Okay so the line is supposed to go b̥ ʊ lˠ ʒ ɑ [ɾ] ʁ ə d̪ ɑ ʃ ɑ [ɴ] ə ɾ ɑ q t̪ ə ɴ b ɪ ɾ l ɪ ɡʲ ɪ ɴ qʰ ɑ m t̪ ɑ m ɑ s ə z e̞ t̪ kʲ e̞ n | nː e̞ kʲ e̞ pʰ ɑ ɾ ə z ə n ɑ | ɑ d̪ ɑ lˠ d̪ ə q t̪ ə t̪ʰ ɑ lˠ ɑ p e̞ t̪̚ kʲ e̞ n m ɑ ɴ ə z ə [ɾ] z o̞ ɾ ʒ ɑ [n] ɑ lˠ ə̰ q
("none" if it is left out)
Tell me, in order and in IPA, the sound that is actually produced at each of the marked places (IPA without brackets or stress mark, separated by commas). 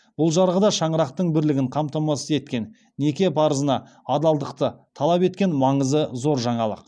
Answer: ɾ, ɴ, none, ɴ